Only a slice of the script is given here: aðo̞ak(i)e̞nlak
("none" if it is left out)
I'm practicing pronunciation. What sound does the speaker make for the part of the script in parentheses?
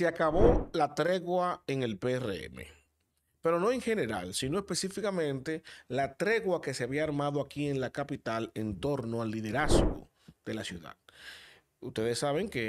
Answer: i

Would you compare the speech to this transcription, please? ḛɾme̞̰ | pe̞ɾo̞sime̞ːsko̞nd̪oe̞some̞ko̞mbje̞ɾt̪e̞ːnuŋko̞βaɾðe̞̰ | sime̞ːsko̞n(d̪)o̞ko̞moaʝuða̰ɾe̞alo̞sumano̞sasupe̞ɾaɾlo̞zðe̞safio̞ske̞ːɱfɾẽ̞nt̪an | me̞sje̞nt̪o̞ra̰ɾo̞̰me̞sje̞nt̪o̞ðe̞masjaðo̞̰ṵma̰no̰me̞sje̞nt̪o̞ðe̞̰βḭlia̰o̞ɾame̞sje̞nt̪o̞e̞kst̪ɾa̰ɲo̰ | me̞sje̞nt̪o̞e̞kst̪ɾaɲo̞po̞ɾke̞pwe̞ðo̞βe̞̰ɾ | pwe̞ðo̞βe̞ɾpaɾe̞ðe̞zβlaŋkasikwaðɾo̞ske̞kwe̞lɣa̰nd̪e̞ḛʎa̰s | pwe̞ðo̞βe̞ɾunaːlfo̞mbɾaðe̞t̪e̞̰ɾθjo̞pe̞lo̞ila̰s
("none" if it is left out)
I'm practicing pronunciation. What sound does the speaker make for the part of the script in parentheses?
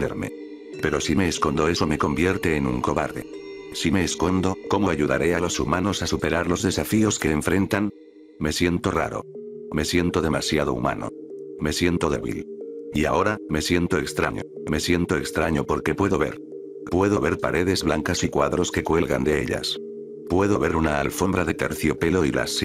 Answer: d̪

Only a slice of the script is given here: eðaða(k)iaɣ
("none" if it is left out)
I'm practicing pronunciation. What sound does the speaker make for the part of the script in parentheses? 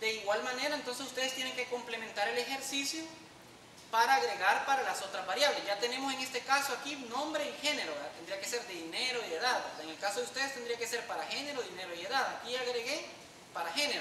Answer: k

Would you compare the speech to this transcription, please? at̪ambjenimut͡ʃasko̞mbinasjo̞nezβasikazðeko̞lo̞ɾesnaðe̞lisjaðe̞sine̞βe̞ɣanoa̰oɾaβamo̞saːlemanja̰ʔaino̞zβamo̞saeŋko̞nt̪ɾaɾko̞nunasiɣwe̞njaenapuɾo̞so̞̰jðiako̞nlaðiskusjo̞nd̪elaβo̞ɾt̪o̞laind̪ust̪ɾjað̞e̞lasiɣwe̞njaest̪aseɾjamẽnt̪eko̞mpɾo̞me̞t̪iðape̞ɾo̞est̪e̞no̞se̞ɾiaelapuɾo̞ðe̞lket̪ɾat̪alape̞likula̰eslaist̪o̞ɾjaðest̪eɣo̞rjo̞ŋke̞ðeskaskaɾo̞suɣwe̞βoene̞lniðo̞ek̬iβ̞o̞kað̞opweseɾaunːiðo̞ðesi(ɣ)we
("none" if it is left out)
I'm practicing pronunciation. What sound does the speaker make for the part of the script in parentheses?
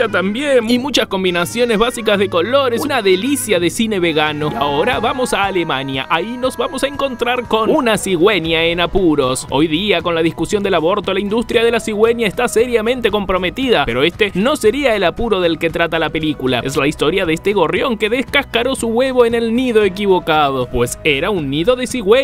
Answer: ɣ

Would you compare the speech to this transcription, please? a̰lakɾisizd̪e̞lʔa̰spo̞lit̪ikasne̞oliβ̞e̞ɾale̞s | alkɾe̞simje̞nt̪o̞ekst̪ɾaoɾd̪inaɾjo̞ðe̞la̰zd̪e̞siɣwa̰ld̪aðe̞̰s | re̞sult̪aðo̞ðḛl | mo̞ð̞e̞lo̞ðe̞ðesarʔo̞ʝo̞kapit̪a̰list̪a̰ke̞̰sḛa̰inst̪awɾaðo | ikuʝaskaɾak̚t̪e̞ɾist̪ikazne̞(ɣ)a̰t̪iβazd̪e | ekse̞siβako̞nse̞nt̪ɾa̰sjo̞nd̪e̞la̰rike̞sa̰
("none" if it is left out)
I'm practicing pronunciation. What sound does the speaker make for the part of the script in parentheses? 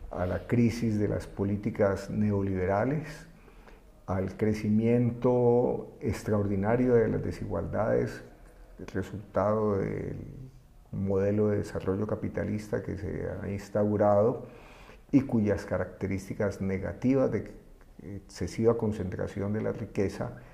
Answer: ɣ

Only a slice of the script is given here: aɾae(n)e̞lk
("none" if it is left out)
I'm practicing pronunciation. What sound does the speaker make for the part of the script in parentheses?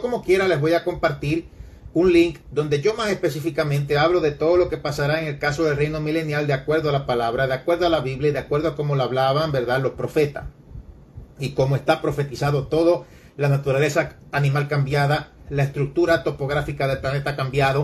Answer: ŋ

